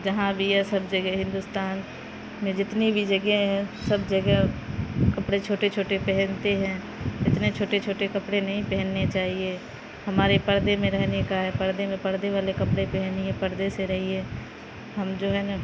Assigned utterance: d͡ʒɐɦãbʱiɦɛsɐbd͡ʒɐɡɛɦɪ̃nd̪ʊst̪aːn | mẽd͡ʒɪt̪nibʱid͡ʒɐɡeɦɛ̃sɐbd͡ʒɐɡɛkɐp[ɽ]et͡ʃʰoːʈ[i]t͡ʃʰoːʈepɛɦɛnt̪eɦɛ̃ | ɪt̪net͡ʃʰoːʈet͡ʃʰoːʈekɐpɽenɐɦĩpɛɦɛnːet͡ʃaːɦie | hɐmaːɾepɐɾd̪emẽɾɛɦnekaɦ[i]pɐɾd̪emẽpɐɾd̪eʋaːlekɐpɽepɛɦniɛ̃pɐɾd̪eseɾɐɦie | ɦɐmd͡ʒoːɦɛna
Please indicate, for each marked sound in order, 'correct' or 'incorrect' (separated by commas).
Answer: correct, incorrect, incorrect